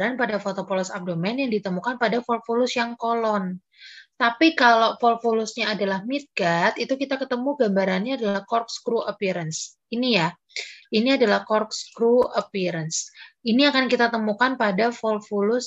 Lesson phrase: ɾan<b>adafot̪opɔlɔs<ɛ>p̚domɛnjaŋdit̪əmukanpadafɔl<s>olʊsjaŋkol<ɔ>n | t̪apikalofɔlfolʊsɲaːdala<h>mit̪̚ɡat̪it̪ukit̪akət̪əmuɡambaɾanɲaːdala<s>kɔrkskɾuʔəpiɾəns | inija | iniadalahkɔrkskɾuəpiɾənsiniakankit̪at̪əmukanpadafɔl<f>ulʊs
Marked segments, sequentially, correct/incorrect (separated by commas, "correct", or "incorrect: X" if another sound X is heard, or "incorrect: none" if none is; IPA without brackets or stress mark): incorrect: p, incorrect: a, incorrect: f, correct, correct, incorrect: h, correct